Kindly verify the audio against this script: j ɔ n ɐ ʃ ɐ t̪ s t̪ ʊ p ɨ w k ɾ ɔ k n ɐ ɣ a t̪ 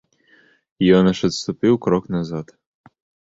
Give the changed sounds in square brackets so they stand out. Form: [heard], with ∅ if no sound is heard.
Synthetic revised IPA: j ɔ n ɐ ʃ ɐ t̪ s t̪ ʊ p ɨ w k ɾ ɔ k n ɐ [z] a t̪